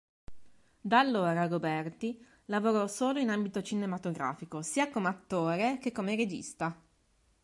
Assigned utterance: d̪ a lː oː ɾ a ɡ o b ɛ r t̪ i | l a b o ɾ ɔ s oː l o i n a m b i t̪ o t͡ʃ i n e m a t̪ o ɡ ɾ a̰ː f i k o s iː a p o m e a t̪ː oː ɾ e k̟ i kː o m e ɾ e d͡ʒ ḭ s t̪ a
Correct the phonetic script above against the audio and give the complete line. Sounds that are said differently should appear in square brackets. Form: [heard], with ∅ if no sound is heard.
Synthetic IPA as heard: d̪ a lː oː ɾ a ɡ o b ɛ r t̪ i | l a [v] o ɾ ɔ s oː l o i n a m b i t̪ o t͡ʃ i n e m a t̪ o ɡ ɾ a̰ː f i k o s iː a [k] o m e a t̪ː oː ɾ e k̟ [e] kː o m e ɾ e d͡ʒ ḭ s t̪ a